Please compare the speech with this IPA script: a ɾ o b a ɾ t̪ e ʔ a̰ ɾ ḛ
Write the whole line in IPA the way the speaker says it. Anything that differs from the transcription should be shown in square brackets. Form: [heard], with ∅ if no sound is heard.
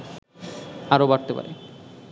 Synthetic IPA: a ɾ o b a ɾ t̪ e [p] a̰ ɾ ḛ